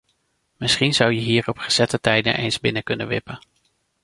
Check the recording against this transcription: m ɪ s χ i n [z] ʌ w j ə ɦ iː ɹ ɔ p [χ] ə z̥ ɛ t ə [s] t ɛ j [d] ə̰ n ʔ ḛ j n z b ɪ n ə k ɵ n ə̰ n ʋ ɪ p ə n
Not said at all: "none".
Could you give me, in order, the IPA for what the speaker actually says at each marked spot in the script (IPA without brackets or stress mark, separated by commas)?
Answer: z, χ, none, d